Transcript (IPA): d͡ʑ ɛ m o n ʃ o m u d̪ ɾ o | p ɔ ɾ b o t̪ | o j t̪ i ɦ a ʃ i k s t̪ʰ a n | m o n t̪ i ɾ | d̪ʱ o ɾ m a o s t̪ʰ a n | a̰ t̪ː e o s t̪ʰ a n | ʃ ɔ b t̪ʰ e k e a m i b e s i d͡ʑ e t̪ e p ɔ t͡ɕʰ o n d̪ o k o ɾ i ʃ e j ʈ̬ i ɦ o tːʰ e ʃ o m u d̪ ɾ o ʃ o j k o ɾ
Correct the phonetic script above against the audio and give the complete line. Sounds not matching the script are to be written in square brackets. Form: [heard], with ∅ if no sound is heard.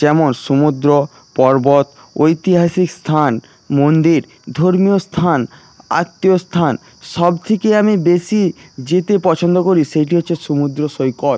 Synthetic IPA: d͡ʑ ɛ m o n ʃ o m u d̪ ɾ o | p ɔ ɾ b o t̪ | o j t̪ i ɦ a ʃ i k s t̪ʰ a n | m o n [d̪] i ɾ | d̪ʱ o ɾ m [i] o s t̪ʰ a n | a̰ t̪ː [i] o s t̪ʰ a n | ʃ ɔ b t̪ʰ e k e a m i b e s i d͡ʑ e t̪ e p ɔ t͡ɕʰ o n d̪ o k o ɾ i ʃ e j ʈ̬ i ɦ o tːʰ e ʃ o m u d̪ ɾ o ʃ o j k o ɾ